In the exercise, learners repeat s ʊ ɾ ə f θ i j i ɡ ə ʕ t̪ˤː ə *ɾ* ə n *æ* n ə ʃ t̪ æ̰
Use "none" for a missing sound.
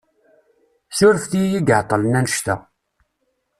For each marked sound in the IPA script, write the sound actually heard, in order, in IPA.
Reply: l, æ

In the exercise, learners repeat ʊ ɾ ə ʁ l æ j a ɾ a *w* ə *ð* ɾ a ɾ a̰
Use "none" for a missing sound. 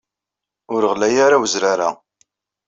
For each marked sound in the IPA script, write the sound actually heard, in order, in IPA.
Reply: w, z

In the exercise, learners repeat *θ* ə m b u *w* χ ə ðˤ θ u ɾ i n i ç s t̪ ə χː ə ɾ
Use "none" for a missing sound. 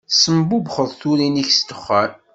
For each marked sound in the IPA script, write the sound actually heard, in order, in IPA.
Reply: s, b

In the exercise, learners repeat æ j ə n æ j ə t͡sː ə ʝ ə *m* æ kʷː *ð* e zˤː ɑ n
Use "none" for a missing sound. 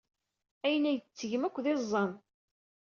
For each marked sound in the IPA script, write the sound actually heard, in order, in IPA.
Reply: m, ð

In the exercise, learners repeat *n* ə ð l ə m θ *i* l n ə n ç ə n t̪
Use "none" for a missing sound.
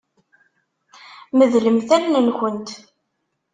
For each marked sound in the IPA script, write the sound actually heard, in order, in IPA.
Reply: m, æ

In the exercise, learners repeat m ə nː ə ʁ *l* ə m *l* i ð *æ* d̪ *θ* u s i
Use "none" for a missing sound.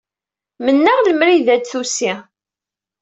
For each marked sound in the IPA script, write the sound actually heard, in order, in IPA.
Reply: l, ɾ, æ, θ

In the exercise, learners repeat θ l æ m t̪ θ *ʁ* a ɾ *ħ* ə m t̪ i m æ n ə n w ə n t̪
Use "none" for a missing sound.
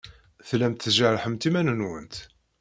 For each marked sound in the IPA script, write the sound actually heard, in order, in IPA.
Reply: ʒ, ħ

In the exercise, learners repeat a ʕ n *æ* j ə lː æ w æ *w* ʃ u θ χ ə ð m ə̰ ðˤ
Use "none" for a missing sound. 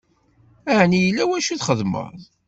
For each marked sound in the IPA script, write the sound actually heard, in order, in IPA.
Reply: i, none

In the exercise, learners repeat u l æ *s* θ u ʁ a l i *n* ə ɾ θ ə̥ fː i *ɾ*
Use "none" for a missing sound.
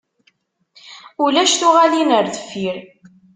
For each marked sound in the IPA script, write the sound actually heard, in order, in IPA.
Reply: ʃ, n, ɾ

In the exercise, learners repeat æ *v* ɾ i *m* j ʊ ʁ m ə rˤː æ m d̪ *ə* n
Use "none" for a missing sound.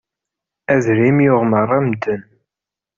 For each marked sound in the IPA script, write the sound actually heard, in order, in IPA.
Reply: ð, m, ə

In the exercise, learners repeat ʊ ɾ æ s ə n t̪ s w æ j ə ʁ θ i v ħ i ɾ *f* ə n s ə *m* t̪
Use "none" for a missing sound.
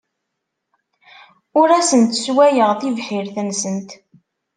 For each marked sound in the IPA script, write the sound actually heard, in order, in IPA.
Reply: θ, n

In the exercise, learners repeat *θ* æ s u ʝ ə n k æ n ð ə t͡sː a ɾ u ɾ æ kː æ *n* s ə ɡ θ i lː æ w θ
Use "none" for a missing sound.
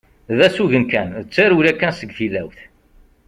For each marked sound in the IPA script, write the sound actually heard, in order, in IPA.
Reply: ð, n

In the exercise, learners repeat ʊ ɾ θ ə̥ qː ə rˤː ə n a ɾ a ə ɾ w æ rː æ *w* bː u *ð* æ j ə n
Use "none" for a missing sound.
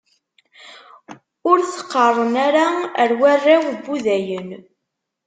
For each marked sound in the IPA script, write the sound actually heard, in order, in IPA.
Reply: w, ð

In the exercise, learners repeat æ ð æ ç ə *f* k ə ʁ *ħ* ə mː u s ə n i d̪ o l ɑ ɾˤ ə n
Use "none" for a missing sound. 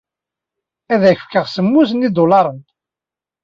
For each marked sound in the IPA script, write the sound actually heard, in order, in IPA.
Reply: f, s

